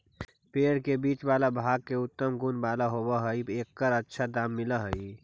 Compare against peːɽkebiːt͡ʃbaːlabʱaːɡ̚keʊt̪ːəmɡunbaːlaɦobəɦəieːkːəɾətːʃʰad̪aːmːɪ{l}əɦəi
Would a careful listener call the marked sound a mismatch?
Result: no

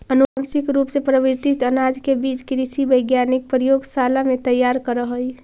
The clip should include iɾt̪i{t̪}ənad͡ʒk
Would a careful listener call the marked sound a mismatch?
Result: no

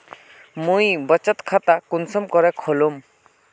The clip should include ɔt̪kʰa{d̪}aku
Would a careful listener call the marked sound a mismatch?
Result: yes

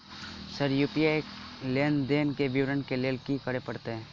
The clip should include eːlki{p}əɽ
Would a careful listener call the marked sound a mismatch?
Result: yes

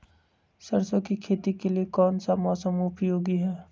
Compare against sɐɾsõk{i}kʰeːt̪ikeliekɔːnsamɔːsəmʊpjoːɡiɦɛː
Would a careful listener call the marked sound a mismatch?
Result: no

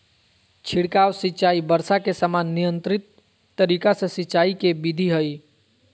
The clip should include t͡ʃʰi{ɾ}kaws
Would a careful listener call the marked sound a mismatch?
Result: yes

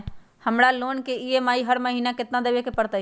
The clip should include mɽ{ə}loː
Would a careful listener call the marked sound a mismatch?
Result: yes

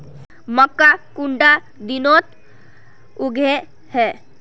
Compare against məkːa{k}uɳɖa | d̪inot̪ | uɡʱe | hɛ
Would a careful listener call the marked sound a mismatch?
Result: no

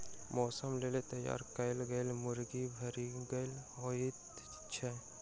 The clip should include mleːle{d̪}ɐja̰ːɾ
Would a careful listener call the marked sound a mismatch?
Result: yes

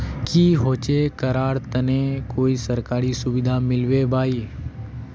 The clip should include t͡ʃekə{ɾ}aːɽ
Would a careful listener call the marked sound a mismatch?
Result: no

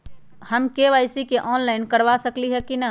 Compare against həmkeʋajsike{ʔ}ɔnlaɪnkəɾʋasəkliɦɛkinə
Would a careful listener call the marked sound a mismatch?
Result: no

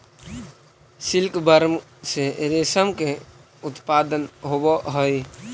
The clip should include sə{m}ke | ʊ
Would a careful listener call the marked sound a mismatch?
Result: no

